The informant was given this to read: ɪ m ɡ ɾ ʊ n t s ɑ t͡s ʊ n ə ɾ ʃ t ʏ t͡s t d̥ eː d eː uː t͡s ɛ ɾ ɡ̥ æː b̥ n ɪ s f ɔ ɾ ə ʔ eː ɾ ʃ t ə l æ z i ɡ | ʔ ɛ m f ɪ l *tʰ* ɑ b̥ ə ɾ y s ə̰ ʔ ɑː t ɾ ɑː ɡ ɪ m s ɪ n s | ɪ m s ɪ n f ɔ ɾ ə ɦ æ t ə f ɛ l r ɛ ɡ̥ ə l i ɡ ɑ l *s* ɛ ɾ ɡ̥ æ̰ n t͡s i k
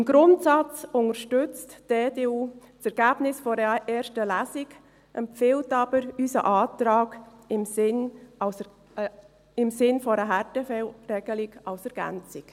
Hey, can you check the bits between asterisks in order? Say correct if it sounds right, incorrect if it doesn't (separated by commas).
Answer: incorrect, correct